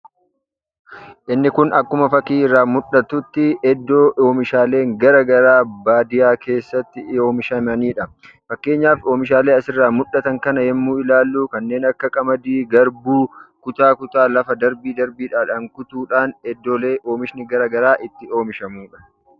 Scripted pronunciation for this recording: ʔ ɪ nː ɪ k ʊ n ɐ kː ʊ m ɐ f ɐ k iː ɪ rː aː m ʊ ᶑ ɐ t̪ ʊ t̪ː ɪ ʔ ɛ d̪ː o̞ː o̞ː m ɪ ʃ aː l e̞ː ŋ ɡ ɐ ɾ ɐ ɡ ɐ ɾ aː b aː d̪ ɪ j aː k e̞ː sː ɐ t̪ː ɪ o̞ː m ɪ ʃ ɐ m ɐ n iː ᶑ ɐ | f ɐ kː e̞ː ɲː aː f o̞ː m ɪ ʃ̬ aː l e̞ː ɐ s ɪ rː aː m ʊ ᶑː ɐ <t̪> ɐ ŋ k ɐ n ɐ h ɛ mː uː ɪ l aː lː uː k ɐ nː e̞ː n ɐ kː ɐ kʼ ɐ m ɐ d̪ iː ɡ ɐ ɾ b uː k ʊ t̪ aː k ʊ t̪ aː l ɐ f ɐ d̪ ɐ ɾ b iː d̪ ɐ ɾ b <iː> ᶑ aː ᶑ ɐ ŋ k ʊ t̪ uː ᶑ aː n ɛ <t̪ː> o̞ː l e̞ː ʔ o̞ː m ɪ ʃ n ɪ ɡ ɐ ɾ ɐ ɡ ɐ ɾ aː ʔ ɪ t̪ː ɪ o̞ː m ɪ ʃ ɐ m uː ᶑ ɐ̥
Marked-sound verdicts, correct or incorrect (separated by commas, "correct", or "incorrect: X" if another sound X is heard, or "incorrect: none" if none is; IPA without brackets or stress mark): correct, correct, incorrect: d̪ː